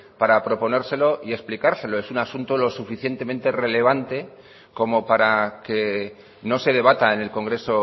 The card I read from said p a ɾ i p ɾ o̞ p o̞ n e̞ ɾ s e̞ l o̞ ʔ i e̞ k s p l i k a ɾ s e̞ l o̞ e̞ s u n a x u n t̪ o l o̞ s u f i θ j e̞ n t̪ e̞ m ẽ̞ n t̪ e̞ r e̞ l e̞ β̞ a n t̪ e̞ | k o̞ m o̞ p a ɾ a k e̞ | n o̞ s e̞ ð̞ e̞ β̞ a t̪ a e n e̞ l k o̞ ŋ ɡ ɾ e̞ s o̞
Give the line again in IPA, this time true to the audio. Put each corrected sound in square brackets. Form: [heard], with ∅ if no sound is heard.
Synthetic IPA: p a ɾ [a] p ɾ o̞ p o̞ n e̞ ɾ s e̞ l o̞ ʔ i e̞ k s p l i k a ɾ s e̞ l o̞ e̞ s u n a [s] u n t̪ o l o̞ s u f i θ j e̞ n t̪ e̞ m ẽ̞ n t̪ e̞ r e̞ l e̞ β̞ a n t̪ e̞ | k o̞ m o̞ p a ɾ a k e̞ | n o̞ s e̞ ð̞ e̞ β̞ a t̪ a e n e̞ l k o̞ ŋ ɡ ɾ e̞ s o̞